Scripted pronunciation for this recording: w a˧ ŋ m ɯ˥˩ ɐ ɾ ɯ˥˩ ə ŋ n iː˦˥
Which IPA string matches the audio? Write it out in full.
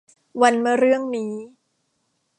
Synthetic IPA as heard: w a˧ n m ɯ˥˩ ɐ ɾ ɯ˥˩ ə ŋ n iː˦˥